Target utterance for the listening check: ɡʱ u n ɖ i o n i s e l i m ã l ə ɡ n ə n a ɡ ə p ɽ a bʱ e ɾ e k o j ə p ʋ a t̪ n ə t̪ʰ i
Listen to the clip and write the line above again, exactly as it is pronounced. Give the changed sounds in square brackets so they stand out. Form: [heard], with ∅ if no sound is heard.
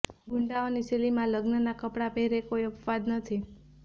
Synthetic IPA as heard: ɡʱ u [ɳ] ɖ [a] o n i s e l i m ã l ə ɡ n ə n a [k] ə p ɽ a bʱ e ɾ e k o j ə p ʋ a [d̪] n ə t̪ʰ i